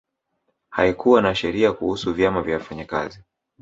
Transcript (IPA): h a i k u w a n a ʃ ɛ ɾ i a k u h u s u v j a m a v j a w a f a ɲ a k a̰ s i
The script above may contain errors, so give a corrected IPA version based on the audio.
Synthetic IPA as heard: h a i k u w a n a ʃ ɛ ɾ i a k u h u s u v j a m a v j a w a f a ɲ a k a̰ z i